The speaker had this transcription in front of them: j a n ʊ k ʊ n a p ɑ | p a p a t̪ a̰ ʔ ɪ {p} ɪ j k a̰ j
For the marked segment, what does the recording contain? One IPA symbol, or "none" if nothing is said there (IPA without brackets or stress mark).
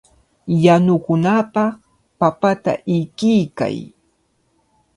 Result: k